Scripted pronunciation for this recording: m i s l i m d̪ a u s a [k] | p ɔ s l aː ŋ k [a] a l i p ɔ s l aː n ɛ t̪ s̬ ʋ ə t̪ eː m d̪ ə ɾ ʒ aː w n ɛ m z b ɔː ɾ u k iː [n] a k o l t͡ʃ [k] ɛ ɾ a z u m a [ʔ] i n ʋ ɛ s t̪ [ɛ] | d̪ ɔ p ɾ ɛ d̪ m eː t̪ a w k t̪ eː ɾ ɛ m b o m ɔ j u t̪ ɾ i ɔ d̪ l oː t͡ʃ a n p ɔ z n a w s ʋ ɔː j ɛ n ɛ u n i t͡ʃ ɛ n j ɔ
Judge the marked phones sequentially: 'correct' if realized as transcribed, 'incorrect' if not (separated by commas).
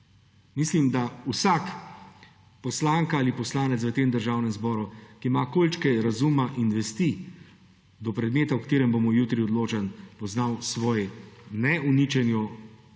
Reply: correct, correct, incorrect, correct, correct, incorrect